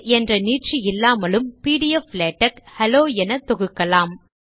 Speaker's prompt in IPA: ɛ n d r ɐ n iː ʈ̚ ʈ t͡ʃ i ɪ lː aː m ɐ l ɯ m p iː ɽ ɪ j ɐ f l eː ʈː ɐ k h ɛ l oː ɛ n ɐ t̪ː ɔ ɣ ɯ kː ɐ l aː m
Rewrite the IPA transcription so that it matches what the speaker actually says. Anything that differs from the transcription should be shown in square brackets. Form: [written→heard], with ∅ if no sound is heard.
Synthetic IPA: ɛ n d r ɐ n iː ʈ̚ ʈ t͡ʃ i ɪ lː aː m ɐ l ɯ m p iː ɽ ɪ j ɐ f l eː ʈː ɐ k h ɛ l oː ɛ n ɐ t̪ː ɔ ɣ ɯ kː ɐ l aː m